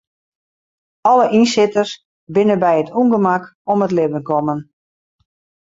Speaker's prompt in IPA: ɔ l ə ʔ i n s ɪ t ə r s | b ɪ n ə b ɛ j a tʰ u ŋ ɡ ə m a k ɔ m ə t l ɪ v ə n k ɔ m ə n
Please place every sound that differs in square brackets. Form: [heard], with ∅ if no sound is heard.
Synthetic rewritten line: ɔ l ə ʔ i n s ɪ t ə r s | b ɪ n ə b ɛ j [ə] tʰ u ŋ ɡ ə m a k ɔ m ə t l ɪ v ə n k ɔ m ə n